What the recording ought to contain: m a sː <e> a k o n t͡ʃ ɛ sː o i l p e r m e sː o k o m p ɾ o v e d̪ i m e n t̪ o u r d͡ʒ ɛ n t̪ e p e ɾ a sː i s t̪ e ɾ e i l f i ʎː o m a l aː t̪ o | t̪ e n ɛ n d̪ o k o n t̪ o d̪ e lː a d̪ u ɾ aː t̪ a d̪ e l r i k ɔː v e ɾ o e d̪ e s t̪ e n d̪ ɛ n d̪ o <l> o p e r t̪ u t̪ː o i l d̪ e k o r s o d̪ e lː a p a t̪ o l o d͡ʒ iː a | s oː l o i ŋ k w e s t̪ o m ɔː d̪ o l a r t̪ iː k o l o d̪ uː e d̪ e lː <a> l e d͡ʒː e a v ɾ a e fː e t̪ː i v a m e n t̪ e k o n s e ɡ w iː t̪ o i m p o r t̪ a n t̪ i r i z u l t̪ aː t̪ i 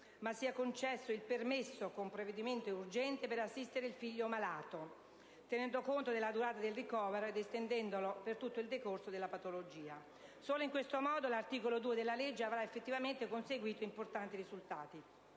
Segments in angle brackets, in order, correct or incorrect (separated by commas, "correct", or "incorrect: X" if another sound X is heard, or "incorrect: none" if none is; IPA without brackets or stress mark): incorrect: i, correct, correct